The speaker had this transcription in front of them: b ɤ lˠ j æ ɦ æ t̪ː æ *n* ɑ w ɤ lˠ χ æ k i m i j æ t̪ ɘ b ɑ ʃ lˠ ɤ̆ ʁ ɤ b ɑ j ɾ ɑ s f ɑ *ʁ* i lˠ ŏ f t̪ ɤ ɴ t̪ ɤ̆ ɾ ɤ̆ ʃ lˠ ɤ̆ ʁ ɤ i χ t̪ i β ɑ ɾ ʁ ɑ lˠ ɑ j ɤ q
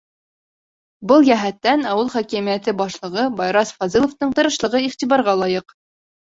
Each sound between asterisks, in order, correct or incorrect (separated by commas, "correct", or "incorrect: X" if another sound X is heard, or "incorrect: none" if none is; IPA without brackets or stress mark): correct, incorrect: z